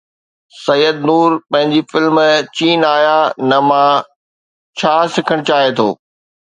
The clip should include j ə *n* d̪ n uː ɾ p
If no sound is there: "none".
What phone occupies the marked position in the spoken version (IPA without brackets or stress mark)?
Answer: none